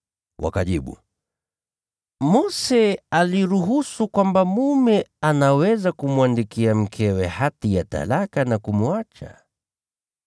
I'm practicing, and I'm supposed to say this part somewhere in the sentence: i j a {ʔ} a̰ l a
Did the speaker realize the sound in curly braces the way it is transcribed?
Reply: no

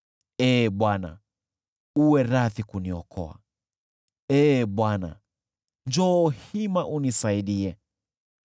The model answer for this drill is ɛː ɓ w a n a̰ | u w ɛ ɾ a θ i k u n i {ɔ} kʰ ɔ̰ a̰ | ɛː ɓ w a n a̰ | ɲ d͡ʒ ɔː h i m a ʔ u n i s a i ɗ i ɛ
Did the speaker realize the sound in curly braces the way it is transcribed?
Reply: yes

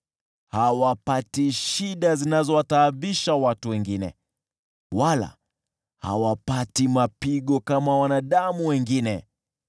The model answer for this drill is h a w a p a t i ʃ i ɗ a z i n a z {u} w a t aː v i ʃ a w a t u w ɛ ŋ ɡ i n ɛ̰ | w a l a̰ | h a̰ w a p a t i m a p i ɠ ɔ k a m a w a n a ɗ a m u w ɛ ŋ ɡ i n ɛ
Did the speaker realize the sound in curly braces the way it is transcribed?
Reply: no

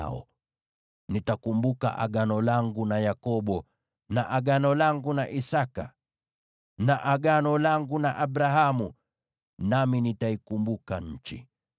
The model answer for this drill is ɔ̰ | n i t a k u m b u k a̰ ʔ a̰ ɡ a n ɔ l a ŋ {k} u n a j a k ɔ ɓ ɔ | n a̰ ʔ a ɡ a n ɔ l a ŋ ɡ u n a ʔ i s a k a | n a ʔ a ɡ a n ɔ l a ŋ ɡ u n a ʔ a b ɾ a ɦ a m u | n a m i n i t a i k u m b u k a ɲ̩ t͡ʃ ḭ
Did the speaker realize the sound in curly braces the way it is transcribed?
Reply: no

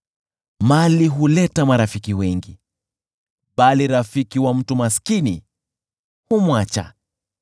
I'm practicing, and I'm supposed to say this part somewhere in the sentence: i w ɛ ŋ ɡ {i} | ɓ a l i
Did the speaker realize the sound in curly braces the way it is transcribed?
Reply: yes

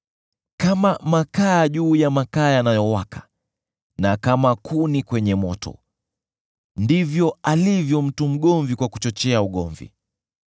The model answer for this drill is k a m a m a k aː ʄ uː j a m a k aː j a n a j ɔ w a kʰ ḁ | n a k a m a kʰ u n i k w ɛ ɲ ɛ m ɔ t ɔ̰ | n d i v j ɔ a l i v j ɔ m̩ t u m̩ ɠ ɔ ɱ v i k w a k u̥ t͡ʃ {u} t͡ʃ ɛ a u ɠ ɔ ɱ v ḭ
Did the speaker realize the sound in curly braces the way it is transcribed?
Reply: no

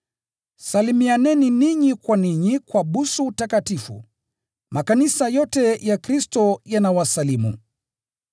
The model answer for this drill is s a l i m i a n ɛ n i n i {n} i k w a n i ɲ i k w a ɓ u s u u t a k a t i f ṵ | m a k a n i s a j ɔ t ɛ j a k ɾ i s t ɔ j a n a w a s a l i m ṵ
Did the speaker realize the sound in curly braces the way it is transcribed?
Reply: no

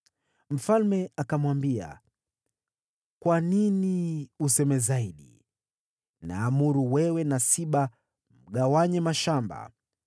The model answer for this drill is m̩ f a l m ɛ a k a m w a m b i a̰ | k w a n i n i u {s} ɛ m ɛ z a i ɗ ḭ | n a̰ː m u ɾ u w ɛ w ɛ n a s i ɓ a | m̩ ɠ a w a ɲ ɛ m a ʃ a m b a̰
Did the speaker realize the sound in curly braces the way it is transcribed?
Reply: yes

